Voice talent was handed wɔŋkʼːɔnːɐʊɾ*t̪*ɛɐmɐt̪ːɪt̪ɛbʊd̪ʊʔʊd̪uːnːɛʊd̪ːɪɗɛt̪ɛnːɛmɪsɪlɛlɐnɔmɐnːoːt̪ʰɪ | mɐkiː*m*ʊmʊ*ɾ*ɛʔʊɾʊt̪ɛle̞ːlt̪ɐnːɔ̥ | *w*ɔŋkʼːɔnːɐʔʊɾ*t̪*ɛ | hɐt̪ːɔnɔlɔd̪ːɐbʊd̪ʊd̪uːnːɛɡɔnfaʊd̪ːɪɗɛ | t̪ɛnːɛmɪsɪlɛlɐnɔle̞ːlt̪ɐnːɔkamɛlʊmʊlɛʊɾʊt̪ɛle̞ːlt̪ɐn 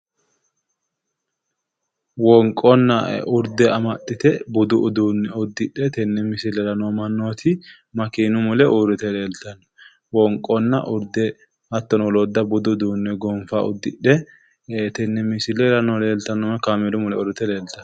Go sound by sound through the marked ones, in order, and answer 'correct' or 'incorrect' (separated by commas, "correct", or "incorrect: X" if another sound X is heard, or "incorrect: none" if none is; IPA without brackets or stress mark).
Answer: incorrect: d̪, incorrect: n, incorrect: l, correct, incorrect: d̪